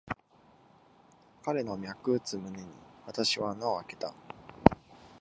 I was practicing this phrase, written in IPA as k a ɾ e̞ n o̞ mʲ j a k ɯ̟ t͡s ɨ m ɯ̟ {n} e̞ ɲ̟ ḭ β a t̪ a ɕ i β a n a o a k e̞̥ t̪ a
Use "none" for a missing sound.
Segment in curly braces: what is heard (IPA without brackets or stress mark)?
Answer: n